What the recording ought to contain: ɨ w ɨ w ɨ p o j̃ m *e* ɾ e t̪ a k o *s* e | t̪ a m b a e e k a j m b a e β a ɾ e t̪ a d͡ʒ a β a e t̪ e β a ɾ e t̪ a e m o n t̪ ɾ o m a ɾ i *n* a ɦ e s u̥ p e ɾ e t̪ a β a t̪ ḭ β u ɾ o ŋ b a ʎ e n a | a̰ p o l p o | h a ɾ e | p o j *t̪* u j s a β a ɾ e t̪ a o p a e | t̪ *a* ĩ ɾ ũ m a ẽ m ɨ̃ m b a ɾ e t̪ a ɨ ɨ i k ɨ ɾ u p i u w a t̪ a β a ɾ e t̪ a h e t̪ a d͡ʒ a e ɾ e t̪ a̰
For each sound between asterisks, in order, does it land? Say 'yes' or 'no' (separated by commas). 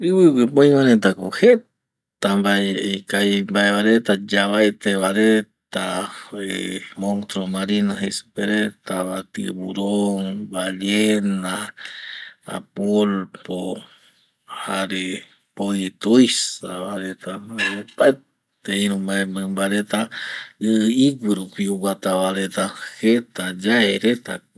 no, no, yes, yes, no